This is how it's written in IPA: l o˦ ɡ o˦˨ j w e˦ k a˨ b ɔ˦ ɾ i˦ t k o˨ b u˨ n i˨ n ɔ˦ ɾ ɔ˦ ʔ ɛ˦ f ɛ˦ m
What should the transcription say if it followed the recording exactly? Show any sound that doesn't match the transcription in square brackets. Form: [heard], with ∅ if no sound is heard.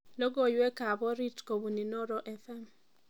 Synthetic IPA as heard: l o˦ ɡ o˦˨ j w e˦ k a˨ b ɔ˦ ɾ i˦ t k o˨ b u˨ n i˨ n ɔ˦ ɾ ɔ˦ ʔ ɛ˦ f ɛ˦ m

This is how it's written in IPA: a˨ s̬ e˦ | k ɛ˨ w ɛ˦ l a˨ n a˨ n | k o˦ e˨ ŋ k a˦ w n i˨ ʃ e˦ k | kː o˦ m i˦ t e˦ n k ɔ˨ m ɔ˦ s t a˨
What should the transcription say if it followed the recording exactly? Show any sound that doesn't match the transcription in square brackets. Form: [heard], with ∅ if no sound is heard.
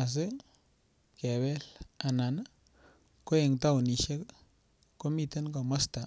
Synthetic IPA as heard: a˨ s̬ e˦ | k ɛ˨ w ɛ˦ l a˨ n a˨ n | k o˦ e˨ ŋ [t] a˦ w n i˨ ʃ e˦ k | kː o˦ m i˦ t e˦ n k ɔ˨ m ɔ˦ s t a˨

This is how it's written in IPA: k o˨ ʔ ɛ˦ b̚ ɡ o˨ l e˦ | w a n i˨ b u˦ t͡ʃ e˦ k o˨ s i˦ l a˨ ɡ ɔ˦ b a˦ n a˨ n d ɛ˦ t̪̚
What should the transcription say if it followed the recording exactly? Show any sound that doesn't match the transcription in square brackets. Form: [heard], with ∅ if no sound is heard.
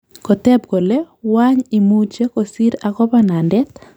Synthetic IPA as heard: k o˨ [t] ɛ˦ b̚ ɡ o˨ l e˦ | w a [ɲ] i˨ [m] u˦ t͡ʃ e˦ k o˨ s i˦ [ɾ] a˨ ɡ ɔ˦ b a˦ n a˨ n d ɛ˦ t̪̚

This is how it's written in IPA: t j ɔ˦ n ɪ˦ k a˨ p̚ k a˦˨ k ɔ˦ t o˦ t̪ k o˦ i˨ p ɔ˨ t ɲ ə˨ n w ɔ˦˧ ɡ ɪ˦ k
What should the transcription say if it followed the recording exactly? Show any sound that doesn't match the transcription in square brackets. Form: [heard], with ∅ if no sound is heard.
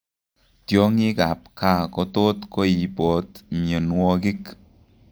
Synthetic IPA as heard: t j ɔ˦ [ŋ] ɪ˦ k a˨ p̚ k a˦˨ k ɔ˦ t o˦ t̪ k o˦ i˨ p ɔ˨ t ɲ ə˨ n w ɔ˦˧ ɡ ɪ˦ k

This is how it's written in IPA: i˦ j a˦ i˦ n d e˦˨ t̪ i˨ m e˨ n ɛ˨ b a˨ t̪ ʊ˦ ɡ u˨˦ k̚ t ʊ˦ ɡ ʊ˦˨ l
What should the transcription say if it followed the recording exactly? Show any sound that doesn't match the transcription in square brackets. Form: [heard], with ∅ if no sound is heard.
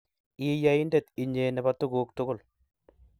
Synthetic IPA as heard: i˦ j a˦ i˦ n d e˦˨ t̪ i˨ [ɲ] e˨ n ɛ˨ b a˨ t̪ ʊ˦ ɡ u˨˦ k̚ t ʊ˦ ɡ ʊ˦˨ l

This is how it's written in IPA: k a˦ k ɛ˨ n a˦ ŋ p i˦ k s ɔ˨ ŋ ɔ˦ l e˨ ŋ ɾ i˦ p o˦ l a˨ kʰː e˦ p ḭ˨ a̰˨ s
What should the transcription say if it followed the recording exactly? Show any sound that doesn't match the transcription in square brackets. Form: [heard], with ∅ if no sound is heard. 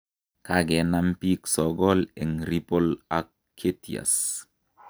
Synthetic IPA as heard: k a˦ [ɡ] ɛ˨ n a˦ [m] p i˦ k s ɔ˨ [ɡ] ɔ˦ l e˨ ŋ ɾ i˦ p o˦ l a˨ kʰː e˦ [t] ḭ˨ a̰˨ s

